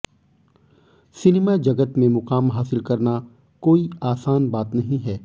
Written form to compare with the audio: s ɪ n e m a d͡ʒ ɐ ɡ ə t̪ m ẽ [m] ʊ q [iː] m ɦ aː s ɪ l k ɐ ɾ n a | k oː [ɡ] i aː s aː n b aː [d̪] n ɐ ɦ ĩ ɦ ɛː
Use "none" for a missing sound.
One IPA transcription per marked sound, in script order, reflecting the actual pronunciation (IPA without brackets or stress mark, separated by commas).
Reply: m, aː, none, t̪